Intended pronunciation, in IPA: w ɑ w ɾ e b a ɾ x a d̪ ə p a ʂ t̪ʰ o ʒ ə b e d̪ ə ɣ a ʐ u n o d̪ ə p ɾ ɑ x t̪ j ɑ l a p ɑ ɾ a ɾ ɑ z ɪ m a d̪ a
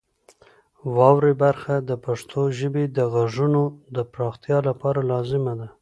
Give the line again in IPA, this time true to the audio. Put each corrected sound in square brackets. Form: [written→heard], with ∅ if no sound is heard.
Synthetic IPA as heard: w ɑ w ɾ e b a ɾ x a d̪ ə p a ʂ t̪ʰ o ʒ ə b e d̪ ə ɣ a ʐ u n o d̪ ə p ɾ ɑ x t̪ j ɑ l a p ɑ ɾ a [ɾ→l] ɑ z ɪ m a d̪ a

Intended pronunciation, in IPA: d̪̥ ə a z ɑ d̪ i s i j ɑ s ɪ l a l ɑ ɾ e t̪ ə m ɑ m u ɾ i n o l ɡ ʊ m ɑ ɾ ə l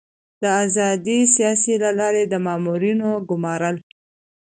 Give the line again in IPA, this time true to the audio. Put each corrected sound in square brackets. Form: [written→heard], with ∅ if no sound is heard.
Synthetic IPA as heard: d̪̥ ə a z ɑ d̪ i s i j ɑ s [ɪ→i] l a l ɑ ɾ e [t̪→d̪] ə m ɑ m u ɾ i n o [l→∅] ɡ ʊ m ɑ ɾ ə l

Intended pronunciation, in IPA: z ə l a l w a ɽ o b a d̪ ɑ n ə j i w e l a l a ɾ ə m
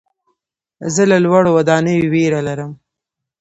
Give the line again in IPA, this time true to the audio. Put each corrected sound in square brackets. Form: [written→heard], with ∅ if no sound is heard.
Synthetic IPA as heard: z ə l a l w a ɽ o [b→w] a d̪ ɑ n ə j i w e [l→ɾ] a l a ɾ ə m

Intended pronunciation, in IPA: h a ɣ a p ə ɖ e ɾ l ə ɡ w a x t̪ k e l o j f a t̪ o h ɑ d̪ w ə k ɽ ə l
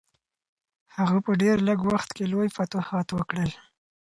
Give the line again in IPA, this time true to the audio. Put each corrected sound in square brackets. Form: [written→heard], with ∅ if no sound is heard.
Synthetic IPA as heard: h a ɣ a p ə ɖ e ɾ l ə ɡ w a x t̪ k e l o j f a t̪ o h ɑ [d̪→t̪] w ə k ɽ ə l

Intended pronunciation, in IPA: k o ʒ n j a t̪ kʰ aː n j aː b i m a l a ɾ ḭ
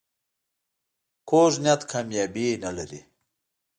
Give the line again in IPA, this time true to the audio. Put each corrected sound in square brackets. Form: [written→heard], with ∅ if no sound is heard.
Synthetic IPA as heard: k o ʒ n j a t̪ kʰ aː [n→m] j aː b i [m→n] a l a ɾ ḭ

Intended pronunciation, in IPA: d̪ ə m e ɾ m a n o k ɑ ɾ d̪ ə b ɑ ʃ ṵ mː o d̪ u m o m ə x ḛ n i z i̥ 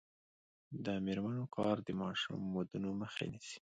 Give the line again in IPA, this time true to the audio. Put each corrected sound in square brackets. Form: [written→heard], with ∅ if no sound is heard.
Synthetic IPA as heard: d̪ ə m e ɾ m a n o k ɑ ɾ d̪ ə [b→m] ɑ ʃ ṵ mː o d̪ u [m→n] o m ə x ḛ n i [z→s] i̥

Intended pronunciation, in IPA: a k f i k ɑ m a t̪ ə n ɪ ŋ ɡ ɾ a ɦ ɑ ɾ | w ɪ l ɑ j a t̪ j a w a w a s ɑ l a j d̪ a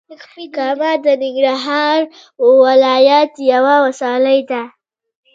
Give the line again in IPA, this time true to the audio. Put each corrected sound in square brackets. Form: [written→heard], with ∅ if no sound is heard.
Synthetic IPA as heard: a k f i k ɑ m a [t̪→d̪] ə n ɪ ŋ ɡ ɾ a ɦ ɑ ɾ | w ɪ l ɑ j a t̪ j a w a w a s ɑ l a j d̪ a

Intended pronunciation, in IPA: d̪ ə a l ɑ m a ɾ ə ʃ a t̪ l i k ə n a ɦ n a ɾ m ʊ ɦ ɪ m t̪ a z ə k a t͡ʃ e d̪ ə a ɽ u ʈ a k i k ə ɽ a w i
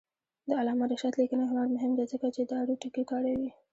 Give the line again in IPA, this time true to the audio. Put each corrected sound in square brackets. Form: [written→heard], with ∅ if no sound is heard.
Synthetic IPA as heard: d̪ ə a l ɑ m a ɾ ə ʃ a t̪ l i k ə n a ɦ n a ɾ m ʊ ɦ ɪ m [t̪→d̪] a z ə k a t͡ʃ e d̪ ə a ɽ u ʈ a k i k [ə→ɑ] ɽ a w i

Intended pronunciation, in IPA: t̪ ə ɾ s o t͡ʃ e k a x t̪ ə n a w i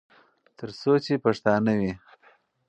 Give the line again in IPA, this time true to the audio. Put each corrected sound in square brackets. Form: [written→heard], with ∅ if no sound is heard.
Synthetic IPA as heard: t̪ ə ɾ s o t͡ʃ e [k→p] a [x→ʂ] t̪ [ə→ɑ] n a w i

